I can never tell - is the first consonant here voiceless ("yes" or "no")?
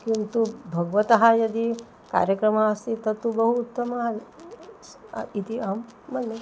yes